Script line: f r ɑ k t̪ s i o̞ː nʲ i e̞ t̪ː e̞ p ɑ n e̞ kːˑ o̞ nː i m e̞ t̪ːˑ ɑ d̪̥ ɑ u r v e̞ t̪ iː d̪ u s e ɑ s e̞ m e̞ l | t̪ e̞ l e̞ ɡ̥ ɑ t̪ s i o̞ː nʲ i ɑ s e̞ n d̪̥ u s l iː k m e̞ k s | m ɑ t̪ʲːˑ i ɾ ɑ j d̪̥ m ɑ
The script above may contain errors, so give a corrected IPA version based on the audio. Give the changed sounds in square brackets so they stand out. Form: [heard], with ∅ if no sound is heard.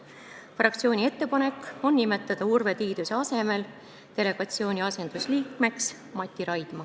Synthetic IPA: f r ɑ k t̪ s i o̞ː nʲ i e̞ t̪ː e̞ p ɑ n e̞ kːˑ o̞ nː i m e̞ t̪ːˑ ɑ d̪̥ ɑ u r v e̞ t̪ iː d̪ u s e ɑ s e̞ m e̞ l | t̪ e̞ l e̞ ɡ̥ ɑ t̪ s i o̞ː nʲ i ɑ s e̞ n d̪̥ u s l iː k m e̞ k s | m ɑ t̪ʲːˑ i ɾ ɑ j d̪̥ m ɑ